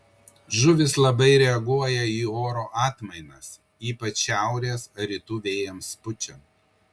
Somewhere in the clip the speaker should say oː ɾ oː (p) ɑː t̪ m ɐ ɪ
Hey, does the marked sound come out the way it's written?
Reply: no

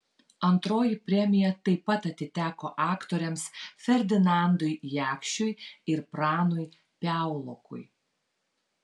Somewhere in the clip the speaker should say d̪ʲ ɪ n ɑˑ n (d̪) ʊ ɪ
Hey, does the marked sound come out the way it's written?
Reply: yes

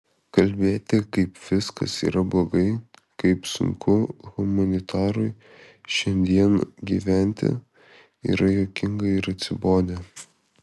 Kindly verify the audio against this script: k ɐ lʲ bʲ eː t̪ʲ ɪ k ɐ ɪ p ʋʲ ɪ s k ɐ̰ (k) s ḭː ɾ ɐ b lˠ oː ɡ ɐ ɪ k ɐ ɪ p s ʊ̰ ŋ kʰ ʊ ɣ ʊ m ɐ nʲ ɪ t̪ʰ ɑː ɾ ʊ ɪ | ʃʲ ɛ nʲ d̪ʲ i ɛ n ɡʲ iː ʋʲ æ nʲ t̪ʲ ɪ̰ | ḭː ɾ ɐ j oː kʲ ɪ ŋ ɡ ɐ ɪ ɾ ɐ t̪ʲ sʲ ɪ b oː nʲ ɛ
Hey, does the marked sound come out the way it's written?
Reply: no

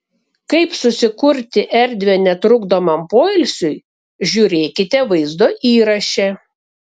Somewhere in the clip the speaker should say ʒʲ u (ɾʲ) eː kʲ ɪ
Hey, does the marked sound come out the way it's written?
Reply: yes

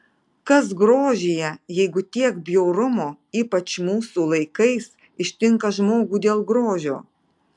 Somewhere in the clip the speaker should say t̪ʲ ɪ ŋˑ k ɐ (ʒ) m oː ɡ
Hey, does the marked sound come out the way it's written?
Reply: yes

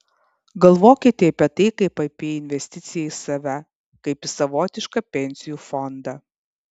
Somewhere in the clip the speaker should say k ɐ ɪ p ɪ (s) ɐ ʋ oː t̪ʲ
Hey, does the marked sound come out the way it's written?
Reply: yes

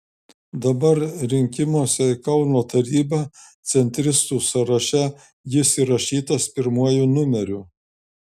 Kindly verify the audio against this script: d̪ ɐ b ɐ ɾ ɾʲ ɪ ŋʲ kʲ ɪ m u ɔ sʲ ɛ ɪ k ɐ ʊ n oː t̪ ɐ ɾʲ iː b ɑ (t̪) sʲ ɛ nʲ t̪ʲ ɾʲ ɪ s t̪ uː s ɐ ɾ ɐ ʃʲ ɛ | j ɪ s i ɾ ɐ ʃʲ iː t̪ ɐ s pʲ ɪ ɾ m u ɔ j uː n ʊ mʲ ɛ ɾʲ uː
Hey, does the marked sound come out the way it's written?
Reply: yes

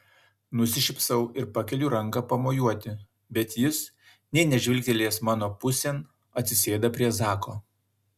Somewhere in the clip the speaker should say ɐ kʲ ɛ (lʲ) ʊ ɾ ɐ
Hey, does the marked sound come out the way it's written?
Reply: yes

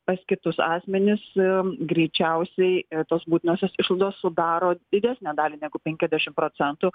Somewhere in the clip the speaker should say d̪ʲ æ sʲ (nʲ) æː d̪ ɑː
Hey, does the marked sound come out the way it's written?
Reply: yes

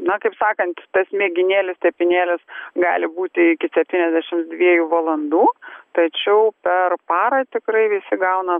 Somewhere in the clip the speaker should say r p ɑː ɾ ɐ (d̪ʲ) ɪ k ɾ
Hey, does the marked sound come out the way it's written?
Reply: no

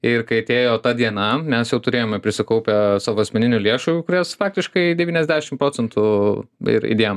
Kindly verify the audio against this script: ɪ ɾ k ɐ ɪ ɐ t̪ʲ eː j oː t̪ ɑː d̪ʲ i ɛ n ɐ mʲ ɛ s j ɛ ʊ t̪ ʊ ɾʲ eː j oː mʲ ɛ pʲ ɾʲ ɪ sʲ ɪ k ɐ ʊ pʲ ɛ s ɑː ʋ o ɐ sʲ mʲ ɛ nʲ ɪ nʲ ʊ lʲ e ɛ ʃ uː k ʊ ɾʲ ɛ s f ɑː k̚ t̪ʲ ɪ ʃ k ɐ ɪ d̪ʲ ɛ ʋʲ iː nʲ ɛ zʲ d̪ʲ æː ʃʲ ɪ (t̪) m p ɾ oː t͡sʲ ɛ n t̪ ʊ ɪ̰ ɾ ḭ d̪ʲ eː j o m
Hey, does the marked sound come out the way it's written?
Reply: no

